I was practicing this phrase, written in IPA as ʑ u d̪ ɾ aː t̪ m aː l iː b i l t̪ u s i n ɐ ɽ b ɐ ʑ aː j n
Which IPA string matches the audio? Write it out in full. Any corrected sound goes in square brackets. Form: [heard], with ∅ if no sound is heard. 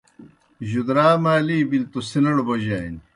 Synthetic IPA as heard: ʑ u d̪ ɾ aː [∅] m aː l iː b i l t̪ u s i n ɐ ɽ b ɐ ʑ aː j n